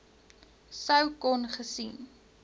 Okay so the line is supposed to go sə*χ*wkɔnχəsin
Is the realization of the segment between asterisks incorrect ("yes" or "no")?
yes